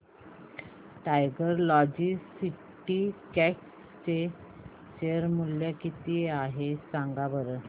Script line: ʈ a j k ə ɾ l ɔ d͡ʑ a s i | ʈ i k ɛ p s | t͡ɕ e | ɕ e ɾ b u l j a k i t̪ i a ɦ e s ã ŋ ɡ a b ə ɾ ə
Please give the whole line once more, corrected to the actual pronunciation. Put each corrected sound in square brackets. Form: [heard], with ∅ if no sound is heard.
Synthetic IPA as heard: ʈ a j [ɡ] ə ɾ l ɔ d͡ʑ [i] s i | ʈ i k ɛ [k] s | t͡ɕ e | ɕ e ɾ [m] u l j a k i t̪ i a ɦ e s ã ŋ ɡ a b ə ɾ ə